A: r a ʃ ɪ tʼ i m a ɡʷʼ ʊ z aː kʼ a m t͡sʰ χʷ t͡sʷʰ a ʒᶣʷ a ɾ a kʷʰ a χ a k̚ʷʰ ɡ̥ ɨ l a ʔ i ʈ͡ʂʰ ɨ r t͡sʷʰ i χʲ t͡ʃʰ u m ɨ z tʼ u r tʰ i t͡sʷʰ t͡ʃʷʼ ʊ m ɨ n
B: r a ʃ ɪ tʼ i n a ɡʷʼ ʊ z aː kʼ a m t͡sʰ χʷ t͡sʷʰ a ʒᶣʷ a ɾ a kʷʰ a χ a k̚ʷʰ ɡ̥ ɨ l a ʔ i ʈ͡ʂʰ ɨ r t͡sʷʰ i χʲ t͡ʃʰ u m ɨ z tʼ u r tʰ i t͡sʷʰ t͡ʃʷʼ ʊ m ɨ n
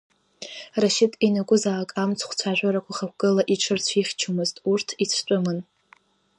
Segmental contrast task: B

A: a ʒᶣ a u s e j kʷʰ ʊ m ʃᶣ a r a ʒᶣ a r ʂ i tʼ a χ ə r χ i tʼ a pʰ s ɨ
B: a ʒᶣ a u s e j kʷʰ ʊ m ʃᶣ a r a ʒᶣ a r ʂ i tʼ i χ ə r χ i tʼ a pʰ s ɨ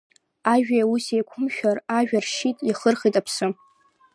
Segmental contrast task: B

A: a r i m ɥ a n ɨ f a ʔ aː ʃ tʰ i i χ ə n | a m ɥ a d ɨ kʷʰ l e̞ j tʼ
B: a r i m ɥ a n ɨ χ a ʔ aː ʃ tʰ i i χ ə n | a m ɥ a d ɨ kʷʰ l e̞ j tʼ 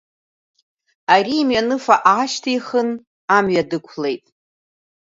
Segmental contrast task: A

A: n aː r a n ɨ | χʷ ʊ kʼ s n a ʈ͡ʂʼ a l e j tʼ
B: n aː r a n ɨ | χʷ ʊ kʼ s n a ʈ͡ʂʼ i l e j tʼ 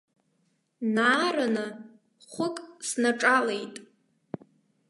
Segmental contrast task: A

